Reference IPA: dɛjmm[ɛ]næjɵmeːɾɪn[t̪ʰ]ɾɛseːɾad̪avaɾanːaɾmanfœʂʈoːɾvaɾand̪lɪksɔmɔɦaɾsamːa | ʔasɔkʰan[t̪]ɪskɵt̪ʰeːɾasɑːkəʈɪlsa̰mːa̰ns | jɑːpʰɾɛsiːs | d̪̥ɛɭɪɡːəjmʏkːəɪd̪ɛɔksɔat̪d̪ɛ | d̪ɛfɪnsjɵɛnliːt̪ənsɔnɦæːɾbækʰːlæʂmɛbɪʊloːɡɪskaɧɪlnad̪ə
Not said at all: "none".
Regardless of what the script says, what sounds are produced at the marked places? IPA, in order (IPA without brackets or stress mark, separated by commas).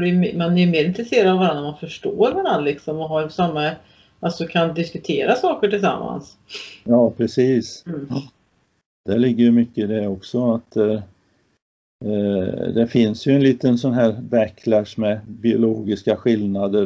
a, t̪, d̪